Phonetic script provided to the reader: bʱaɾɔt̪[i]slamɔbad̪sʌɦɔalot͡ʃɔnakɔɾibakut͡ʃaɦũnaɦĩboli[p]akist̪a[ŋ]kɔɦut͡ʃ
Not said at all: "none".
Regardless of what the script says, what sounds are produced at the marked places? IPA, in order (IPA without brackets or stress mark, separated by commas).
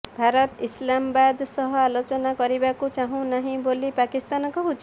i, p, n